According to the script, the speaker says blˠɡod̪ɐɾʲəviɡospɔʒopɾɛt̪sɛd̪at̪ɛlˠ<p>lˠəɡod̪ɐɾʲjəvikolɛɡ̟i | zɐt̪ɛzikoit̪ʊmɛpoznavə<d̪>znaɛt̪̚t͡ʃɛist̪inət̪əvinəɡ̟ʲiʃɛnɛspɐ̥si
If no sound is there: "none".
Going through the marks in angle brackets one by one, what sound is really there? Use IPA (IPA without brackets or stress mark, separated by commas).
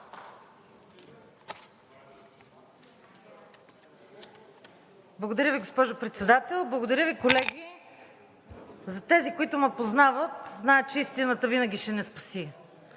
b, t̪